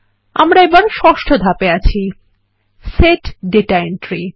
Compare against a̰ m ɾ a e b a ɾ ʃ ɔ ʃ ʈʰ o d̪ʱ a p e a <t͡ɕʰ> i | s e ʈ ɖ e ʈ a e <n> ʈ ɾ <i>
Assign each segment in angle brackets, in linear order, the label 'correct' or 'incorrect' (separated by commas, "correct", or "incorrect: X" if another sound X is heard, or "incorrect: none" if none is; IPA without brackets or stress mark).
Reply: correct, correct, correct